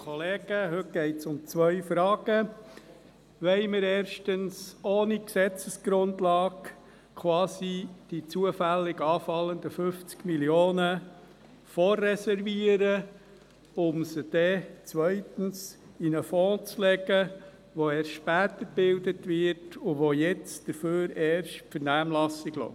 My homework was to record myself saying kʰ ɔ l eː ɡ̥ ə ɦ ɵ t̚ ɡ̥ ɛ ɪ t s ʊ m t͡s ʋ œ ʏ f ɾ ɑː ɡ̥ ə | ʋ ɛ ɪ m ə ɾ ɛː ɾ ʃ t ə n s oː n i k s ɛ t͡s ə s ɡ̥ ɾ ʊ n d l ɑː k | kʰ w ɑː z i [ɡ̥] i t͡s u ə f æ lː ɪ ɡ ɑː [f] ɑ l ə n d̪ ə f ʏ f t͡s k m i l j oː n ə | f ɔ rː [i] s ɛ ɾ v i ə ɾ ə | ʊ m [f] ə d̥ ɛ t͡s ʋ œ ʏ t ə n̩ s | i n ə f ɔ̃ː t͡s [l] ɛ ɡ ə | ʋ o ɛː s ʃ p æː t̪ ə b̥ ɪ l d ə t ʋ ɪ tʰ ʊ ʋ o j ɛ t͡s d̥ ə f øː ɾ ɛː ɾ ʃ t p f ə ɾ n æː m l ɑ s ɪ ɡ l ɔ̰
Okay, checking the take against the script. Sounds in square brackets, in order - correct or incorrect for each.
incorrect, correct, incorrect, incorrect, correct

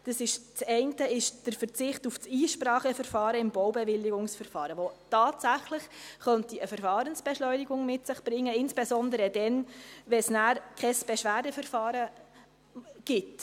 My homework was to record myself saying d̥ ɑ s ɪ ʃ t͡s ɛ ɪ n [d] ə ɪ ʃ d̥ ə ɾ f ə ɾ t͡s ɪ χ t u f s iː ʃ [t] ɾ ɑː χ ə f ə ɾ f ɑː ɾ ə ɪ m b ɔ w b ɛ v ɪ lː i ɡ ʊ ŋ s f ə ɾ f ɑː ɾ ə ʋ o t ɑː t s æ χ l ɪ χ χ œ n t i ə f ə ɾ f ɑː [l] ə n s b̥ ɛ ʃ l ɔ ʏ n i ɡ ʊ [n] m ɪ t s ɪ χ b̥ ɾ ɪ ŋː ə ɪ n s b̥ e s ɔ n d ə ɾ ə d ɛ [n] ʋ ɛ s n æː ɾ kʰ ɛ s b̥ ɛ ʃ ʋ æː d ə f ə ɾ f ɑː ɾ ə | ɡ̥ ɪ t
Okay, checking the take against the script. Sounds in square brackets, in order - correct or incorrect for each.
incorrect, incorrect, incorrect, incorrect, correct

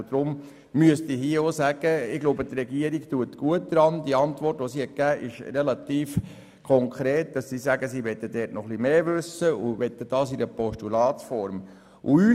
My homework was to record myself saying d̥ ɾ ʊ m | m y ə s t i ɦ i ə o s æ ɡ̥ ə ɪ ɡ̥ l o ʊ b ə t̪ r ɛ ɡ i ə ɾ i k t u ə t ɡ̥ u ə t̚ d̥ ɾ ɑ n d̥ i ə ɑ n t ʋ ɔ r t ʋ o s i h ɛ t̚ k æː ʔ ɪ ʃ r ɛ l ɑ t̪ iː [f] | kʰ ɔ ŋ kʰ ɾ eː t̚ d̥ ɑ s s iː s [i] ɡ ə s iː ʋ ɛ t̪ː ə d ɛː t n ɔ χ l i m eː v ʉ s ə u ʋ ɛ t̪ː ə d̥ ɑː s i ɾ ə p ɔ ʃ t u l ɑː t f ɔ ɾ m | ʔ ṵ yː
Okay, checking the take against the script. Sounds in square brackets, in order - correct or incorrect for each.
correct, incorrect

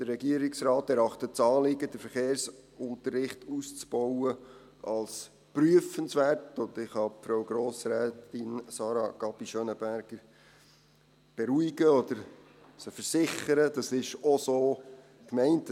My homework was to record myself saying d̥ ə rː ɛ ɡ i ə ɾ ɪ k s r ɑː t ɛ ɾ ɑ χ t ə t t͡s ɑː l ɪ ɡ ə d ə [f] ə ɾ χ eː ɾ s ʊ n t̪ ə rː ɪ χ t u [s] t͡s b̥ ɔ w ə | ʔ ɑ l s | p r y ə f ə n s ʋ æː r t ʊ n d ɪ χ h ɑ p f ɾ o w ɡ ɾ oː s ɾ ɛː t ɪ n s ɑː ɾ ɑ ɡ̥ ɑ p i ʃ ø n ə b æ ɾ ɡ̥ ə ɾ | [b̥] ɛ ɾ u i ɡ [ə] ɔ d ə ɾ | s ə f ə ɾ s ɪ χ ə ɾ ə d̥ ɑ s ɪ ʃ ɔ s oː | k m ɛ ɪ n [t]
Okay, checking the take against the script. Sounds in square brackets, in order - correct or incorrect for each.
correct, correct, correct, correct, correct

